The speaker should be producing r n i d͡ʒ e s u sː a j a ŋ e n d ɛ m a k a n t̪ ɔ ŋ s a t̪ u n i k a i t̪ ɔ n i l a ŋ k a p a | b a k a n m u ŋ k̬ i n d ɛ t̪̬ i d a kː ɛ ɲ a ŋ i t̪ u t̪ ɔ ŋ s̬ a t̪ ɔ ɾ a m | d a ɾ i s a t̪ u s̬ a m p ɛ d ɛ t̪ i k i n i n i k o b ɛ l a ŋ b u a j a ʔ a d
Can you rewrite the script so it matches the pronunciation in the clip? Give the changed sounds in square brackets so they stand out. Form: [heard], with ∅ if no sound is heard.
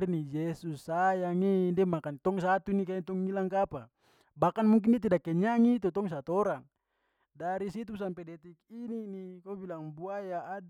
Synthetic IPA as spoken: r n i d͡ʒ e s u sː a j a ŋ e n d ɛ m a k a n t̪ ɔ ŋ s a t̪ u n i k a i t̪ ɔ [ŋ] i l a ŋ k a p a | b a k a n m u ŋ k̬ i n d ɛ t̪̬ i d a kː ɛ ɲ a ŋ i t̪ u t̪ ɔ ŋ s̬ a t̪ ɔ ɾ a [ŋ] | d a ɾ i s [i] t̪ u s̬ a m p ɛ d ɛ t̪ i k i n i n i k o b [i] l a ŋ b u a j a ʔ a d